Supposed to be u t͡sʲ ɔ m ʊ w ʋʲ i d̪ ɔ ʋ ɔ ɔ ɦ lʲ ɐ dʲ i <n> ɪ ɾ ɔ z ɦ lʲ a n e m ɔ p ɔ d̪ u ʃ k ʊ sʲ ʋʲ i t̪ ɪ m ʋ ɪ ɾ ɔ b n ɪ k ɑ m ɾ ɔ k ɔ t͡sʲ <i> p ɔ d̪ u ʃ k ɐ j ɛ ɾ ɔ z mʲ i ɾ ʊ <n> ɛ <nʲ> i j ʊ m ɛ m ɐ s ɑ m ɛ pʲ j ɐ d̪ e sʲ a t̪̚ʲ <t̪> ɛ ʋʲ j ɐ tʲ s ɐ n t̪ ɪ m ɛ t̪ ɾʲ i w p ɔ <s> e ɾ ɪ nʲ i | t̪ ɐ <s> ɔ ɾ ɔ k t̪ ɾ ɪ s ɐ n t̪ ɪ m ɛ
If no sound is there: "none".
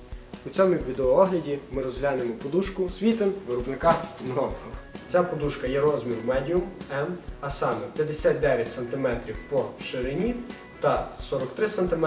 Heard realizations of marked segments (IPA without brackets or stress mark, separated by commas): m, a, m, dʲ, d̪, ʃ, s